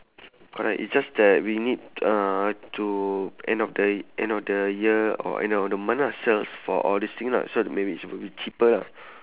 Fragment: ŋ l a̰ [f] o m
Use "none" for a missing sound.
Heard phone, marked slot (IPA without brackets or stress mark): s